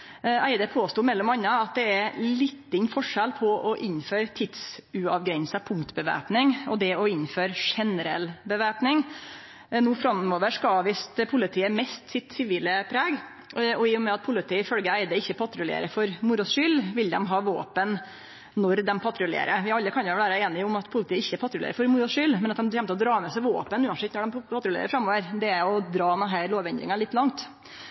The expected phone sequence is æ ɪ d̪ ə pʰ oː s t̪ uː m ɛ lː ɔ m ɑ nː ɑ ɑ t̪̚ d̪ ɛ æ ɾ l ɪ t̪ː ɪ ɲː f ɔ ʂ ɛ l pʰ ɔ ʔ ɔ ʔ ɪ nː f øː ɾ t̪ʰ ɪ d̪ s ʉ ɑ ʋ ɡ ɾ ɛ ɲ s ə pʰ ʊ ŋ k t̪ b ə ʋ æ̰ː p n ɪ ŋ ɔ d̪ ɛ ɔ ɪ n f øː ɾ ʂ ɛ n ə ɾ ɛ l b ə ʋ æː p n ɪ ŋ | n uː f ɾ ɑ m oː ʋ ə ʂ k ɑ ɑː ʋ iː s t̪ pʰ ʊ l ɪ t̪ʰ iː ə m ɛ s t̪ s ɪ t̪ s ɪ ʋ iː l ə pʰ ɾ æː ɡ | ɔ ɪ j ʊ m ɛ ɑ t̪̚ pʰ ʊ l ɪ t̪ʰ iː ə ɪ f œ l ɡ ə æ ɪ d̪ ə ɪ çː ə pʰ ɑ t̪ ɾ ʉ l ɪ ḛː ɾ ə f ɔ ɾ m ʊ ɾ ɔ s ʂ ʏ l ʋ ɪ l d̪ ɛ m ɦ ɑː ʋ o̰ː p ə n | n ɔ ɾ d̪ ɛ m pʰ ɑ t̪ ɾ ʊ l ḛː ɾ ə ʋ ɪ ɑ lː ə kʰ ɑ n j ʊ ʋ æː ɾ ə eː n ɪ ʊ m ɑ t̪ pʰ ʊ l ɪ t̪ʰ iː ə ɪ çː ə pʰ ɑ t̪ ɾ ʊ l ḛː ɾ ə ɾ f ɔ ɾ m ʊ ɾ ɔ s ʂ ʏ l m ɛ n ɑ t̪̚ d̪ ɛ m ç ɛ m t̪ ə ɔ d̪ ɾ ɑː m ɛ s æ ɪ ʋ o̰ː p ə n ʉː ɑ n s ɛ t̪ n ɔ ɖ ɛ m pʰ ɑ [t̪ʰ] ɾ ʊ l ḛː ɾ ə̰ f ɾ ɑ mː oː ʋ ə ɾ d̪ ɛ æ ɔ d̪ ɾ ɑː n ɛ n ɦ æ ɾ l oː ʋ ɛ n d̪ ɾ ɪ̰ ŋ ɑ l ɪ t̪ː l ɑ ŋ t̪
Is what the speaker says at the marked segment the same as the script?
no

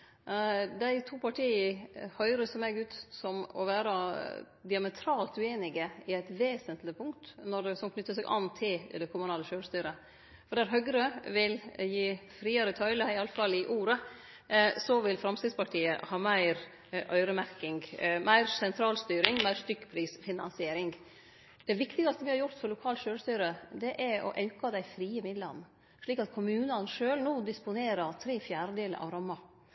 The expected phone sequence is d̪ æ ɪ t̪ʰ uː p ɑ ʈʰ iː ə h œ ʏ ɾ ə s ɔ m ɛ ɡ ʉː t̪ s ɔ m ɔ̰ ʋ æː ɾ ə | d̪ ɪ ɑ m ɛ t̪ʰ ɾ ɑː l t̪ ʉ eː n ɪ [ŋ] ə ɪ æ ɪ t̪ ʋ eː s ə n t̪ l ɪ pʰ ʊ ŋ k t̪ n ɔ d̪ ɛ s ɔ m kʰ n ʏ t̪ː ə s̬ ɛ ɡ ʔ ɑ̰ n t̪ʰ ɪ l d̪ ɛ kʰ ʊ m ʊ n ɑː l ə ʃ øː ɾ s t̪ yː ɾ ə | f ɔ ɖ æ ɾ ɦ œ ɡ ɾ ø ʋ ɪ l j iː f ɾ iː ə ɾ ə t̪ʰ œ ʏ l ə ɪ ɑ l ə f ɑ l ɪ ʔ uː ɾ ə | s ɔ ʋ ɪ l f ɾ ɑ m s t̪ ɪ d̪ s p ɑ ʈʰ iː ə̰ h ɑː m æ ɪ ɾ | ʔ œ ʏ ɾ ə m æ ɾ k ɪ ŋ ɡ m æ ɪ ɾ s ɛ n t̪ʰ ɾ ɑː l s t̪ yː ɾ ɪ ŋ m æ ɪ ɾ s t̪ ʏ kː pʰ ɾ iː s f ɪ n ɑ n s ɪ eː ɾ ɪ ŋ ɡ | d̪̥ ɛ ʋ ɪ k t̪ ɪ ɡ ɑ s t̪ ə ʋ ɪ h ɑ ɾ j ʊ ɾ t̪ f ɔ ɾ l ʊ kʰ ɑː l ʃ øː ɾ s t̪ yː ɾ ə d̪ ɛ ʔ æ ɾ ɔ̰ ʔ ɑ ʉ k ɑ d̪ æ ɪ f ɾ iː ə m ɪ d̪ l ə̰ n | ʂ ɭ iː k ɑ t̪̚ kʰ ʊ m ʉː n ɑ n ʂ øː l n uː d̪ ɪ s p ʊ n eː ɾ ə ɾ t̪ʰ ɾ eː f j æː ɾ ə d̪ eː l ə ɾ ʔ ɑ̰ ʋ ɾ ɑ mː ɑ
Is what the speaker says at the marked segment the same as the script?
no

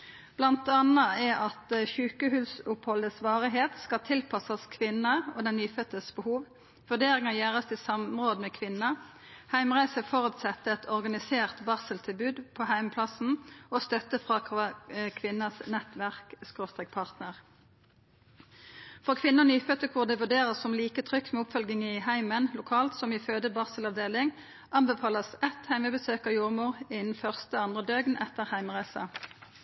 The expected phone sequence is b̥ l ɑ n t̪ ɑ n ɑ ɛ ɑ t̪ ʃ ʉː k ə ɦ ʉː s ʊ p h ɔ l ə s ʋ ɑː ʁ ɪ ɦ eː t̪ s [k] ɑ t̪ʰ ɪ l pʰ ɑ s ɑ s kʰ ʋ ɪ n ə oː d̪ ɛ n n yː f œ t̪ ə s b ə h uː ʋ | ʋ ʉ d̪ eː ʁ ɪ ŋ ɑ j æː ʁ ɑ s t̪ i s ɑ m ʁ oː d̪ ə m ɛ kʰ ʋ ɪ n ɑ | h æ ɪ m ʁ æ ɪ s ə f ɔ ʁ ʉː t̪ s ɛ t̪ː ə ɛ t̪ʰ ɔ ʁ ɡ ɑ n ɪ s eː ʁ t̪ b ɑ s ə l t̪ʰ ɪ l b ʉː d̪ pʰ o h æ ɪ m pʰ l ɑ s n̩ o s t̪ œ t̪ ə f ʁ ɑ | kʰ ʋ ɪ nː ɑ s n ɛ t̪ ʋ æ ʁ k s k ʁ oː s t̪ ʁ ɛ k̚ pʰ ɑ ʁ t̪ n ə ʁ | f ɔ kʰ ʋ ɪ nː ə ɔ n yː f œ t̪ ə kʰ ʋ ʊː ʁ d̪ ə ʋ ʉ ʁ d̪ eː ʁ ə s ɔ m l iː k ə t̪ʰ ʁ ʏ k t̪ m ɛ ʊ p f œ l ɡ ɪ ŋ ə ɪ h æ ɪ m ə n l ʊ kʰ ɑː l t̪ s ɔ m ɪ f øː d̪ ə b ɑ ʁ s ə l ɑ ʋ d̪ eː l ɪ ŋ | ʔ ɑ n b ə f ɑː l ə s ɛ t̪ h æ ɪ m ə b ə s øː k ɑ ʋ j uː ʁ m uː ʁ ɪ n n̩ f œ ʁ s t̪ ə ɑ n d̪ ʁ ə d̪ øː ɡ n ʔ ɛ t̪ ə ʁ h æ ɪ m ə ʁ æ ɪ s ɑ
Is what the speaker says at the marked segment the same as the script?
yes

